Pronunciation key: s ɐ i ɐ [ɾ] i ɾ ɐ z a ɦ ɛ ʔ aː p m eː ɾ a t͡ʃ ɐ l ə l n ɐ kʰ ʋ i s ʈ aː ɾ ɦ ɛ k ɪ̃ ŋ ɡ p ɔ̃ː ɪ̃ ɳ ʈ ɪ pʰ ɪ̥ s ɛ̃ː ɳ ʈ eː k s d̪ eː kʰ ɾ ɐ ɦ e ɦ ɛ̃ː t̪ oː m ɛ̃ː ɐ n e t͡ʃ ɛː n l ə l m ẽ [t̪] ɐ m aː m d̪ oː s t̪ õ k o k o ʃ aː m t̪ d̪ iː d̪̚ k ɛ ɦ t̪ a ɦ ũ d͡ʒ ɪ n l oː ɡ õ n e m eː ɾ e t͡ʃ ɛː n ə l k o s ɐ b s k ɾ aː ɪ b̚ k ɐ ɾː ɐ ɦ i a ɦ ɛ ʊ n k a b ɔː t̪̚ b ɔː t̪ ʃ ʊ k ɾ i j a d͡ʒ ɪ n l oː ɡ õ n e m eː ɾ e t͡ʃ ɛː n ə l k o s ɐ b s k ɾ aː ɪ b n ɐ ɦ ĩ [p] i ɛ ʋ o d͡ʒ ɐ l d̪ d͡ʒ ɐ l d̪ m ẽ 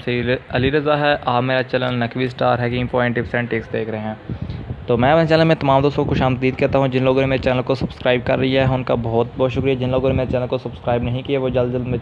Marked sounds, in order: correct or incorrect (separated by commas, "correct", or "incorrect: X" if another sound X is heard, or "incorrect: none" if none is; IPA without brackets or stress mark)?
incorrect: l, correct, incorrect: k